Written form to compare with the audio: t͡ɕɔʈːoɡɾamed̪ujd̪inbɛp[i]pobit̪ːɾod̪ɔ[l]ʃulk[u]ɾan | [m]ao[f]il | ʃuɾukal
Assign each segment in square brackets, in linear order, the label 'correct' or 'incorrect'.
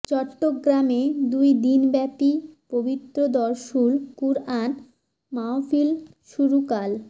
correct, incorrect: ɾ, correct, correct, correct

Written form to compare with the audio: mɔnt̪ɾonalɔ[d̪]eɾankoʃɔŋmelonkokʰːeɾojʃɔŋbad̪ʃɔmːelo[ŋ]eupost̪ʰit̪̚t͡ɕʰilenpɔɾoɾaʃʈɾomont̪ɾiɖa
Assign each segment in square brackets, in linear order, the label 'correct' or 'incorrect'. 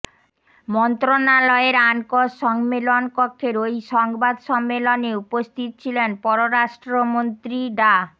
incorrect: none, incorrect: n

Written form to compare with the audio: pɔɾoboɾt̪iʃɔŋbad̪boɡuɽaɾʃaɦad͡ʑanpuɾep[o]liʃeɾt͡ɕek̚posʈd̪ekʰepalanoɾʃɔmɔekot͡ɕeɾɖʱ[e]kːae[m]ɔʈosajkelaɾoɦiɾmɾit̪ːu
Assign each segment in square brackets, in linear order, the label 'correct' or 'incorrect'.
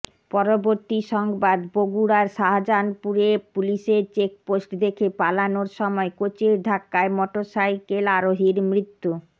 incorrect: u, incorrect: a, correct

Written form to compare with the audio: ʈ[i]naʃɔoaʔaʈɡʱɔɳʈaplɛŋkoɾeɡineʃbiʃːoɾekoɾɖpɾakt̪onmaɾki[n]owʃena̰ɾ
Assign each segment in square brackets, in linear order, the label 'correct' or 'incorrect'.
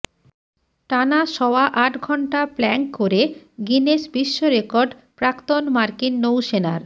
incorrect: a, incorrect: nː

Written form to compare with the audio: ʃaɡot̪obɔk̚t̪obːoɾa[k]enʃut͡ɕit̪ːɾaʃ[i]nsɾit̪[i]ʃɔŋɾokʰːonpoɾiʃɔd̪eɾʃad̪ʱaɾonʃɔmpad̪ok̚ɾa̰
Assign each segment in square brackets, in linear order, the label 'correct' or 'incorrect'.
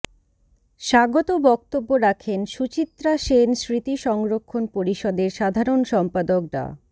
incorrect: kʰ, incorrect: e, correct

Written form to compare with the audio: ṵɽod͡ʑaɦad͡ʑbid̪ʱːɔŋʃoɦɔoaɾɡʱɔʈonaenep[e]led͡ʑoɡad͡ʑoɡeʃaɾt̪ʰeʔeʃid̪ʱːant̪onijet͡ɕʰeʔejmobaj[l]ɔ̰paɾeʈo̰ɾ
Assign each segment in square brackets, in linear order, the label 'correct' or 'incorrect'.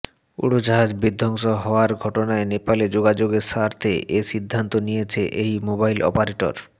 incorrect: a, correct

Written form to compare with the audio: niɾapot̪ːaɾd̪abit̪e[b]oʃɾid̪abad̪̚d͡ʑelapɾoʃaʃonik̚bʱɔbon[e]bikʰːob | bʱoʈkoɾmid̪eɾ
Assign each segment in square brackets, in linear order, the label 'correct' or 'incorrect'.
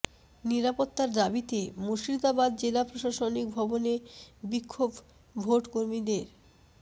incorrect: m, correct

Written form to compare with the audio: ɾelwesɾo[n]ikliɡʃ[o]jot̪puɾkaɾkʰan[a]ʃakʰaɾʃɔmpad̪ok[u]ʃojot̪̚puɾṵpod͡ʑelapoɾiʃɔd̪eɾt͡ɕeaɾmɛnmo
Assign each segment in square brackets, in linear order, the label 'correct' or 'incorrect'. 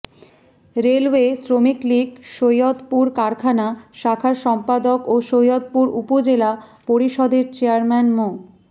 incorrect: m, correct, correct, incorrect: o

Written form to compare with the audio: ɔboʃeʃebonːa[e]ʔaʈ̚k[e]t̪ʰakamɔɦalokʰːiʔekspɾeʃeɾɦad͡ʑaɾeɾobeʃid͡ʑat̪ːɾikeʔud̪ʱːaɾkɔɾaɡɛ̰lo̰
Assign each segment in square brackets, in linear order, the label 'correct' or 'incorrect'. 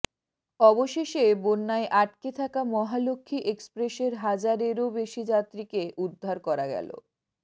correct, correct

